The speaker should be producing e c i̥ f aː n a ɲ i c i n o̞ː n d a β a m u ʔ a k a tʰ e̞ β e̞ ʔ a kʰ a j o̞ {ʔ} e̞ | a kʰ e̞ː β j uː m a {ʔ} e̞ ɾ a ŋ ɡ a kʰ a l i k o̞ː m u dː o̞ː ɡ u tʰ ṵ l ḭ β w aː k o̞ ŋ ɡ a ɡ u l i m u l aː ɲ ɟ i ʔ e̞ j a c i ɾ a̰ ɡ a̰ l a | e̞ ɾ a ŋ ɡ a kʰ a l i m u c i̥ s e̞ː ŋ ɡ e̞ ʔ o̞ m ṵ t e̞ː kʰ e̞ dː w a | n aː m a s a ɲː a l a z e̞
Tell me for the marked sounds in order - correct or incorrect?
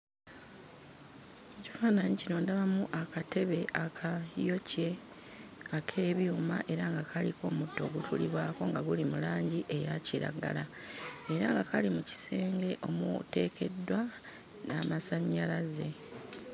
incorrect, correct

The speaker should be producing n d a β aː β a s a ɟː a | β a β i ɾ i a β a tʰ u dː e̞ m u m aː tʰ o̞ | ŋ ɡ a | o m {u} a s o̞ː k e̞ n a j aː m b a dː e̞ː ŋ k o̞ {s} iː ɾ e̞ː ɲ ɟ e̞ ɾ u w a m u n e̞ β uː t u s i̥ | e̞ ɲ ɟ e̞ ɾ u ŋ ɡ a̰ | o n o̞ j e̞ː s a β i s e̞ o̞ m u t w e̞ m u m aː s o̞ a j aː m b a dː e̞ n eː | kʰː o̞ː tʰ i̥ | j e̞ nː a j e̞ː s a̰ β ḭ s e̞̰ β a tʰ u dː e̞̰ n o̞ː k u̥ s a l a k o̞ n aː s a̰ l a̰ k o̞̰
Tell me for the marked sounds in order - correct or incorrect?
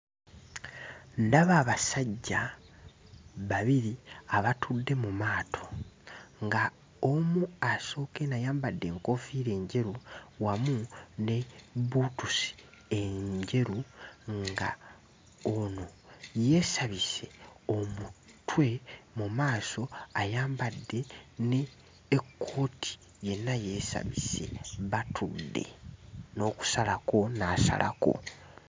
correct, incorrect

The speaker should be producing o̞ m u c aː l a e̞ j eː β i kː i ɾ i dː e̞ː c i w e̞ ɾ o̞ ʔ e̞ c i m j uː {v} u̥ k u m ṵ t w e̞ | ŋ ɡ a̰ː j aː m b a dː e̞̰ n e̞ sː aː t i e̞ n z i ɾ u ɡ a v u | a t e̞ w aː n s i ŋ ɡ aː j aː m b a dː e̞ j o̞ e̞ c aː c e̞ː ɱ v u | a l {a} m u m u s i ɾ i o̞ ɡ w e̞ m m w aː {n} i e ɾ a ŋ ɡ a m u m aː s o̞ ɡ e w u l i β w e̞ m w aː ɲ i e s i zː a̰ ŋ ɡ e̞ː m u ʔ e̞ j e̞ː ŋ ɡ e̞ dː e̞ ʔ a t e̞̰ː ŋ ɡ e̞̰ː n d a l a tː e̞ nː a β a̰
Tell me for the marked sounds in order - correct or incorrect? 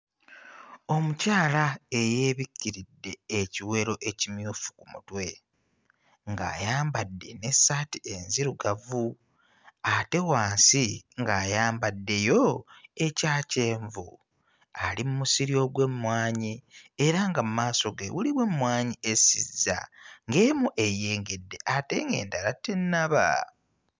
incorrect, incorrect, incorrect

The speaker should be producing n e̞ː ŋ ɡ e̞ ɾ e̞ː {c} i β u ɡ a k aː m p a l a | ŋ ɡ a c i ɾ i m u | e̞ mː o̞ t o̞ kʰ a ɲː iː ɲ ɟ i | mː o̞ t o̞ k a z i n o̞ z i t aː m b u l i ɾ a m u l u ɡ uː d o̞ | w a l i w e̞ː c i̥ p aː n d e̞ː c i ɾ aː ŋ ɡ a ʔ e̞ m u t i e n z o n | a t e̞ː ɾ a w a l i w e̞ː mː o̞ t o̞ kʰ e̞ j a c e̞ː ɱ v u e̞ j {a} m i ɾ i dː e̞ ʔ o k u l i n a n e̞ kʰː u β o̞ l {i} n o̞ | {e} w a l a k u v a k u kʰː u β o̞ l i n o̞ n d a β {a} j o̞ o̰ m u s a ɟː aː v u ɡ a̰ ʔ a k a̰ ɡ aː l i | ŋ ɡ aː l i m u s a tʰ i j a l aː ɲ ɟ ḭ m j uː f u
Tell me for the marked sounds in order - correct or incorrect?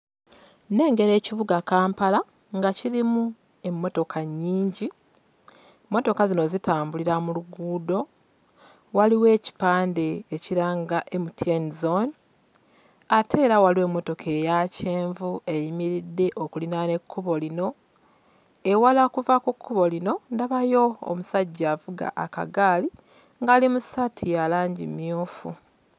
correct, incorrect, correct, correct, correct

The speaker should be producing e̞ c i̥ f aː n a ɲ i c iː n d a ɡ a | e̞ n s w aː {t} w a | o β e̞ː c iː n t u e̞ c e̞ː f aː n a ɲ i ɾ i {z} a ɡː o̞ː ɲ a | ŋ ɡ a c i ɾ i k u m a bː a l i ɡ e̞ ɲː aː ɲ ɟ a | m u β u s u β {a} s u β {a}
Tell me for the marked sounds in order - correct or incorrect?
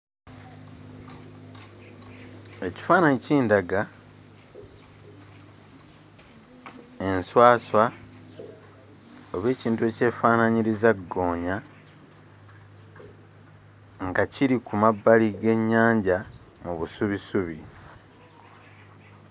incorrect, correct, incorrect, incorrect

